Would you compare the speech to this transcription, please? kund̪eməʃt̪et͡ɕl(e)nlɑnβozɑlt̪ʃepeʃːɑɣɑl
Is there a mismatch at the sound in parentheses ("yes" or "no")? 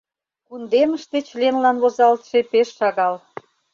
no